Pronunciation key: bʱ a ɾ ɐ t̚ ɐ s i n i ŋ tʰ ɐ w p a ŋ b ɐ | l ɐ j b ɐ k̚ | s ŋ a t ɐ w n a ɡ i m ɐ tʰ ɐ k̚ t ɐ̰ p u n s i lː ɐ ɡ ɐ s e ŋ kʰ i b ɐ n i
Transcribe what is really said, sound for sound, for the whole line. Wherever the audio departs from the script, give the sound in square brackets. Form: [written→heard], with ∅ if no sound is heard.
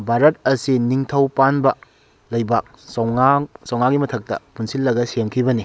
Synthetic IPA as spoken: bʱ a ɾ ɐ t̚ ɐ s i n i ŋ tʰ ɐ w p a [ŋ→n] b ɐ | l ɐ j b [ɐ→a] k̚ | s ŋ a [t→s] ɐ w [n→ŋ] a ɡ i m ɐ tʰ ɐ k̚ t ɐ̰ p u n s i lː ɐ ɡ ɐ s e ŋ kʰ i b ɐ n i